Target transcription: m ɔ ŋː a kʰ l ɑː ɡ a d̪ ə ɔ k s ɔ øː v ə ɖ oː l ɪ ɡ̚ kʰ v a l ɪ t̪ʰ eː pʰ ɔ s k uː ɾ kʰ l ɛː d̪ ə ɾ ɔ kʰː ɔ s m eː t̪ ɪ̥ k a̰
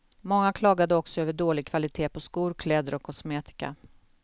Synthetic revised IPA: m ɔ ŋː a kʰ l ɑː ɡ a d̪ ə ɔ k s ɔ øː v ə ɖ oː l ɪ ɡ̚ kʰ v a l ɪ t̪ʰ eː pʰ ɔ s k uː ɾ kʰ l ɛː d̪ ə ɾ ɔ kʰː ɔ s m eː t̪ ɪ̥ k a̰